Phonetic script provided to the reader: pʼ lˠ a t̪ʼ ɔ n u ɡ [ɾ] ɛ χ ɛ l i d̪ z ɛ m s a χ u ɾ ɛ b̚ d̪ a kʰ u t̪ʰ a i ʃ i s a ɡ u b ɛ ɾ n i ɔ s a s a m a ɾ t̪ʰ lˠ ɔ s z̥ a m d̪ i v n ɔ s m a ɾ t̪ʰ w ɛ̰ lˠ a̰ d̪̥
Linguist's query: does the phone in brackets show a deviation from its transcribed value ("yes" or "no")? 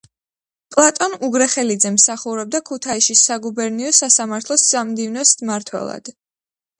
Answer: no